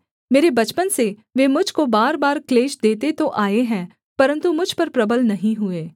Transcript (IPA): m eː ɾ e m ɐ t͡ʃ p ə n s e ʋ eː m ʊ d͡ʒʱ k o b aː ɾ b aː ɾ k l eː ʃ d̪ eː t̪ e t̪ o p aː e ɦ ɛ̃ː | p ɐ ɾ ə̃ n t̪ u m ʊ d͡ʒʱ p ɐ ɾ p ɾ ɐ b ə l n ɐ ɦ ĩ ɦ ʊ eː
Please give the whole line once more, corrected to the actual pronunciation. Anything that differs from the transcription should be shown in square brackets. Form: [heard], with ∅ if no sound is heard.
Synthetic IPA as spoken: m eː ɾ e [b] ɐ t͡ʃ p ə n s e ʋ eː m ʊ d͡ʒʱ k o b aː ɾ b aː ɾ k l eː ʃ d̪ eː t̪ e t̪ o [ʔ] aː e ɦ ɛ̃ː | p ɐ ɾ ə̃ n t̪ u m ʊ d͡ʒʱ p ɐ ɾ p ɾ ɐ b ə l n ɐ ɦ ĩ ɦ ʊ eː